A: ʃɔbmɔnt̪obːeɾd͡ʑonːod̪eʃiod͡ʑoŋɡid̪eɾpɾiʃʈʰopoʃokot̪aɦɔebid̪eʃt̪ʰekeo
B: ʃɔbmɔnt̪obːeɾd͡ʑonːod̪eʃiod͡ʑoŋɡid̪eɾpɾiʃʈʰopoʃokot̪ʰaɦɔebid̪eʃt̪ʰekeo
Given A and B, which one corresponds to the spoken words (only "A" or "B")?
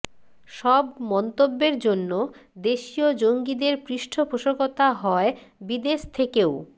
A